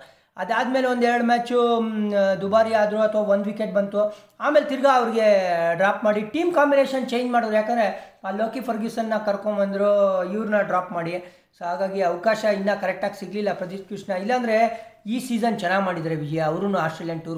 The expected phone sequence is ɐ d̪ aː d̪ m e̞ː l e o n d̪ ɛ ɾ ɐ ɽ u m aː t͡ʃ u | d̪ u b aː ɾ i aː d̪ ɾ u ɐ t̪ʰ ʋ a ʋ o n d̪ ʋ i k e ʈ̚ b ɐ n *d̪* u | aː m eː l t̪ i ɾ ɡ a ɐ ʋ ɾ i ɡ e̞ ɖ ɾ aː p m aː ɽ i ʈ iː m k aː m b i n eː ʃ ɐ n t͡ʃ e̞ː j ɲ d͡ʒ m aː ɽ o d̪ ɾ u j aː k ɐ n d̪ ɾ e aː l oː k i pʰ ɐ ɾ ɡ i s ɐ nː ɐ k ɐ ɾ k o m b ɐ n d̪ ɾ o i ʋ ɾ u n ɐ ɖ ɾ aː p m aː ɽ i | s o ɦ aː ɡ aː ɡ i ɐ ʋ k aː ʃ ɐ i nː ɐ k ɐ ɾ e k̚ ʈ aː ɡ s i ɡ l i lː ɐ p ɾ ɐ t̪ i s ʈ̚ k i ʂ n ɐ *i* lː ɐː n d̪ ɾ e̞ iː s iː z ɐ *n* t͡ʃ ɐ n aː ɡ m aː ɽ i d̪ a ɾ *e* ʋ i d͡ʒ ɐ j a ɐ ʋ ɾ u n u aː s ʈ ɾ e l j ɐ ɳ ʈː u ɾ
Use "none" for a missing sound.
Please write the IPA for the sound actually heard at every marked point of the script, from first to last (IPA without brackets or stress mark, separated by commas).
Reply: t̪, i, n, e